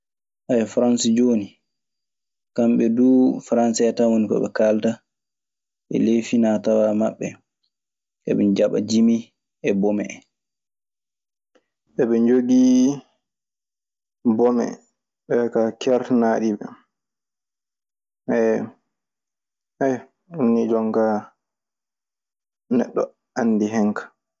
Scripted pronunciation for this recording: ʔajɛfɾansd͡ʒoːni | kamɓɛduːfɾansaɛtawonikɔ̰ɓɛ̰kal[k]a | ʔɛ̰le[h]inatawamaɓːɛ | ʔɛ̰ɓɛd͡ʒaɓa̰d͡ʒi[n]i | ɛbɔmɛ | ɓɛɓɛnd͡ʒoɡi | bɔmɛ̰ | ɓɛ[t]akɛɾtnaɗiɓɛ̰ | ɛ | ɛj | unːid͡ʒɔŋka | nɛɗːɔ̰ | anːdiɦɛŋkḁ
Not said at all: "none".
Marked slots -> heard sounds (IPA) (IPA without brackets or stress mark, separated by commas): t, f, m, k